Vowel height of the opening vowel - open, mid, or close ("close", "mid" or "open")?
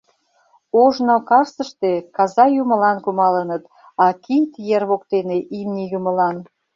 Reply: mid